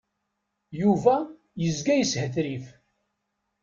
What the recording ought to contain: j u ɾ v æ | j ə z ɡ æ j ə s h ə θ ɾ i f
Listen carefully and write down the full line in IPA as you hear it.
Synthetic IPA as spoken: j u v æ | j ə z ɡ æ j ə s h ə θ ɾ i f